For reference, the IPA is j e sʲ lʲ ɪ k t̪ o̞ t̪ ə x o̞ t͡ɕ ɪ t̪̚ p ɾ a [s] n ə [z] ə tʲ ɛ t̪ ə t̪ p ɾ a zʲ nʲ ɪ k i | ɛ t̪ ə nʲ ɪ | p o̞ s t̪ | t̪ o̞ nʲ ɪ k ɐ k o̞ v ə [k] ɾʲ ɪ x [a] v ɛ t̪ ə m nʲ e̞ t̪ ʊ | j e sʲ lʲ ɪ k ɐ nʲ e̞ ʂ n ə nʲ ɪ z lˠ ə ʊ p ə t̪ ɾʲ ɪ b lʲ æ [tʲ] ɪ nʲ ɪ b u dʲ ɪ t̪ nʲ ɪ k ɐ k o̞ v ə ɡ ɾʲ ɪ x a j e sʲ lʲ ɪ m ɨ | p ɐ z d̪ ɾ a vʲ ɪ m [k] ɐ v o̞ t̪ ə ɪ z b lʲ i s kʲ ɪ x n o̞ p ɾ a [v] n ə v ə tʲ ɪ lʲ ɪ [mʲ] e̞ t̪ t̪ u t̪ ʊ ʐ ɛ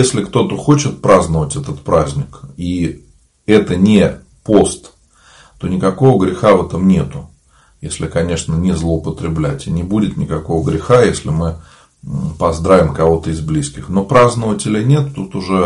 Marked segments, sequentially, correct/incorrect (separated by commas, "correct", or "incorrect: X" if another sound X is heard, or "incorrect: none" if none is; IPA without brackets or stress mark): incorrect: z, incorrect: v, incorrect: ɡ, correct, correct, correct, incorrect: z, incorrect: nʲ